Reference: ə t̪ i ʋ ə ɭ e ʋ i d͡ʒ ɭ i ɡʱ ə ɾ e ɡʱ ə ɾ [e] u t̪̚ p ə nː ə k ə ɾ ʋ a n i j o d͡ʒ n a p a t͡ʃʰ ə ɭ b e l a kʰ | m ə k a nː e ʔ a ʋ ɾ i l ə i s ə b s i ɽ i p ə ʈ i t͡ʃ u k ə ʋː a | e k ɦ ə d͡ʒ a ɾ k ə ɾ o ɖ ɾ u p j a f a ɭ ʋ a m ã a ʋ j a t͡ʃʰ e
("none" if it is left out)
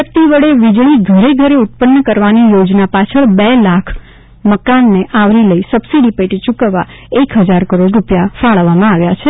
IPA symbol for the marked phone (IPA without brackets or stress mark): e